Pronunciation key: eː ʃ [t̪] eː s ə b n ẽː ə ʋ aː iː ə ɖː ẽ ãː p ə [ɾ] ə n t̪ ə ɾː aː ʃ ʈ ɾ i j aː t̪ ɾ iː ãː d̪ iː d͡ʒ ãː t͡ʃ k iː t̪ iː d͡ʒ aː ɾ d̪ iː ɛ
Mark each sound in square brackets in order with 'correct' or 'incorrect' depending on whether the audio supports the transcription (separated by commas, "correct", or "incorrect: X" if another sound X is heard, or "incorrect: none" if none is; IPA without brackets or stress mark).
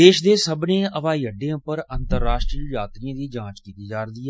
incorrect: d̪, correct